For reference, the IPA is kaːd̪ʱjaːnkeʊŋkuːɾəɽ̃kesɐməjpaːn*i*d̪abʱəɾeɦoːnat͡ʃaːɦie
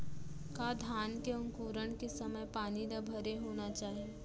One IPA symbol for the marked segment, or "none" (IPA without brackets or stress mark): i